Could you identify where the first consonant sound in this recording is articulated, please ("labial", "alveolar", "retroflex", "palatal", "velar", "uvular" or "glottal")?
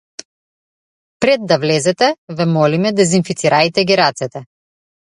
labial